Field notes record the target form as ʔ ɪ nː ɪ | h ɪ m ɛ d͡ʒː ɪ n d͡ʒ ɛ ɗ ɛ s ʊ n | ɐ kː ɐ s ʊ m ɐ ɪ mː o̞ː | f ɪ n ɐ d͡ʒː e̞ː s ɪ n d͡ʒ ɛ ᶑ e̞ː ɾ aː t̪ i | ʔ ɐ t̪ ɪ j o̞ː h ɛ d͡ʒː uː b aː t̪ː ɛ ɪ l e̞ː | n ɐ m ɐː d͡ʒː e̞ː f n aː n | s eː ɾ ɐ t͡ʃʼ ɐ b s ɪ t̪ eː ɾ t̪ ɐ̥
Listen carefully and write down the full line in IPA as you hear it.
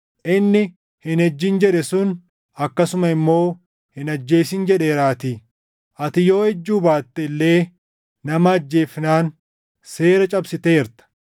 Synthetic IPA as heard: ʔ ɪ nː ɪ | h ɪ n ɛ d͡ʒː ɪ n d͡ʒ ɛ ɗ ɛ s ʊ n | ɐ kː ɐ s ʊ m ɐ ɪ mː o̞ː | h ɪ n ɐ d͡ʒː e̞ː s ɪ n d͡ʒ ɛ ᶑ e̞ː ɾ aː t̪ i | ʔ ɐ t̪ ɪ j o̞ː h ɛ d͡ʒː uː b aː t̪ː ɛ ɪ lː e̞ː | n ɐ m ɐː d͡ʒː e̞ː f n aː n | s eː ɾ ɐ t͡ʃʼ ɐ b s ɪ t̪ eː ɾ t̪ ɐ̥